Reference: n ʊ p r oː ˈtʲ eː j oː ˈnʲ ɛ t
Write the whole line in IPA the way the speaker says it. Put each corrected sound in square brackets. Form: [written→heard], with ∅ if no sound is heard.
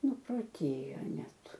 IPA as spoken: n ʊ p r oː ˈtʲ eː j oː ˈnʲ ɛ t